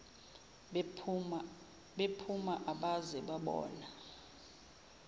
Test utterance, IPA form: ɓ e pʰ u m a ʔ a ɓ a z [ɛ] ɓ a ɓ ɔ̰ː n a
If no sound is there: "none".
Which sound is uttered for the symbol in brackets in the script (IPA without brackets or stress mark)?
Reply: ɛ